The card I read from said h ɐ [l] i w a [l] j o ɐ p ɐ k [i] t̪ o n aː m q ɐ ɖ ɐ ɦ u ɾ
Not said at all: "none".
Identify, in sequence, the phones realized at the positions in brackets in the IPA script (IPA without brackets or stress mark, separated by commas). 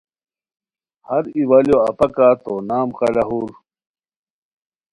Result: ɾ, l, a